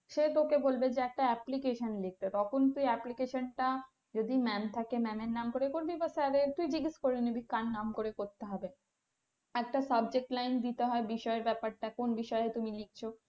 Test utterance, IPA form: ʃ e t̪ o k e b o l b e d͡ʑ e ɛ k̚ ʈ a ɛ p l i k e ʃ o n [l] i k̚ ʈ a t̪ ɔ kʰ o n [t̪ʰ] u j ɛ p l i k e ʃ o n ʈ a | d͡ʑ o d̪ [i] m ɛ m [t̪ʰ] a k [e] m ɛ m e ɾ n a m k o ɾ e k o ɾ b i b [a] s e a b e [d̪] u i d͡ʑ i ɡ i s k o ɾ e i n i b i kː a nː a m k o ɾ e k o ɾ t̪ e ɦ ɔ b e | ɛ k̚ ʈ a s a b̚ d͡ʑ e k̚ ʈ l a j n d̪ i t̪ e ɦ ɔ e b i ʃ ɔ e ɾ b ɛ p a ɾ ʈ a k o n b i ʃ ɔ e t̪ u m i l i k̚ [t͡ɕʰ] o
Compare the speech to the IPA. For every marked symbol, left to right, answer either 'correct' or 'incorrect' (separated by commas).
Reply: correct, incorrect, correct, correct, correct, correct, incorrect, correct